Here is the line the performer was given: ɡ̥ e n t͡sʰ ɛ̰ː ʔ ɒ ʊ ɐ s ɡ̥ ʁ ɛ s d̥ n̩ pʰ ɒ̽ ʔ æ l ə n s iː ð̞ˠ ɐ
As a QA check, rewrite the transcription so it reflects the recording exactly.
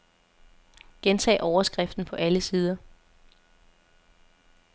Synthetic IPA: ɡ̥ e n t͡sʰ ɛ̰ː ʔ ɒ ʊ ɐ s ɡ̥ ʁ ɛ f d̥ n̩ pʰ ɒ̽ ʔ æ l ə s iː ð̞ˠ ɐ